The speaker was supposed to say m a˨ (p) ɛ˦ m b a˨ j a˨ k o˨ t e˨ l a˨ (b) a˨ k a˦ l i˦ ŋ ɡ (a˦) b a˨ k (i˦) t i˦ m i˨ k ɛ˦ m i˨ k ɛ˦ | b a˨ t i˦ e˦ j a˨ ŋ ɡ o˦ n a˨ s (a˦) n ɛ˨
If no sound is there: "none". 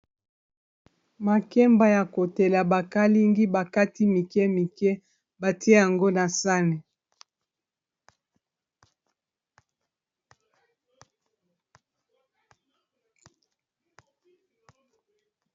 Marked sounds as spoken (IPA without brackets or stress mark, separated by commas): k, b, i˦, a˦, a˦